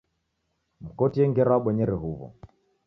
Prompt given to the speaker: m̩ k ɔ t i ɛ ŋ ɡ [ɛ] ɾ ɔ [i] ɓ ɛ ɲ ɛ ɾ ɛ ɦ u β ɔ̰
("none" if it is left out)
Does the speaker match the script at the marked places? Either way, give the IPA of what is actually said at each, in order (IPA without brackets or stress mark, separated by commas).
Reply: ɛ, a